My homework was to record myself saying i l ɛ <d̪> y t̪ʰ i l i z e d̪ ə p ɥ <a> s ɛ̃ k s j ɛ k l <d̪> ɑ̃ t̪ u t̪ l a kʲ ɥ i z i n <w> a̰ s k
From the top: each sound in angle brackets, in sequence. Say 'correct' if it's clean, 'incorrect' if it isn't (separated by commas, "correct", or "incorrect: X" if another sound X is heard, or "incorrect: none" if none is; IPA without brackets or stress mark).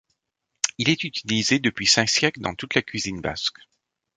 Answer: incorrect: t̪, incorrect: i, correct, incorrect: b